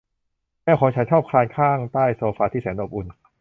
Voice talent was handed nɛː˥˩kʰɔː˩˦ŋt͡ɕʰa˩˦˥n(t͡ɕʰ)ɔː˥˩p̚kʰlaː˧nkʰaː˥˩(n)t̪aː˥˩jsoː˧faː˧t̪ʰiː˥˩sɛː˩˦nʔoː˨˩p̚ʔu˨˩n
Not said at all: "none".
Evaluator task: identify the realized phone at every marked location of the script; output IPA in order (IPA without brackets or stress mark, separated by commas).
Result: t͡ɕʰ, ŋ